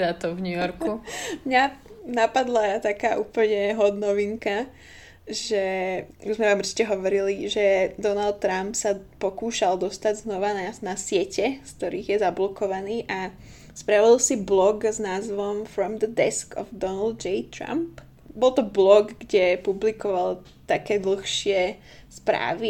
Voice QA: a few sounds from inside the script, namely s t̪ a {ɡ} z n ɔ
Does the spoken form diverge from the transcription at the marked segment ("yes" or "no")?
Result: yes